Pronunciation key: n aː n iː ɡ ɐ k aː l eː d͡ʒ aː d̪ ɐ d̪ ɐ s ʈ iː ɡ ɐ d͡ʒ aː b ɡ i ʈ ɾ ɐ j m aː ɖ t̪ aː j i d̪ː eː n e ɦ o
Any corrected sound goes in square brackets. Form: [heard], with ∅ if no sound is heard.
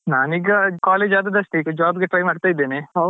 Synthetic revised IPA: n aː n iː ɡ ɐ k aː l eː d͡ʒ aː d̪ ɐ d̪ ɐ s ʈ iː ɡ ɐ d͡ʒ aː b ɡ [e] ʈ ɾ ɐ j m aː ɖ t̪ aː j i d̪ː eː n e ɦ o